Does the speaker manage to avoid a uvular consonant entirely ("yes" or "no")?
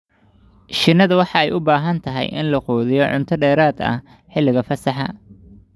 no